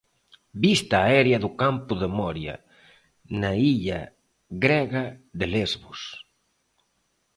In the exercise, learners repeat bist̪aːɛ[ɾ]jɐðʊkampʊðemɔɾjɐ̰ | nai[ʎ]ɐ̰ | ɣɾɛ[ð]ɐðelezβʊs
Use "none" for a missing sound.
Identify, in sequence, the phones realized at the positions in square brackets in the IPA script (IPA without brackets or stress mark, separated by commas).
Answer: ɾ, ʎ, ɣ